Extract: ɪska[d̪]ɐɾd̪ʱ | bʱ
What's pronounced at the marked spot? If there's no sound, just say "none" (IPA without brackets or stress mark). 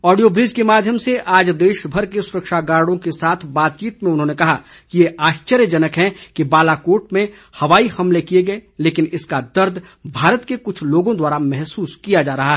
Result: d̪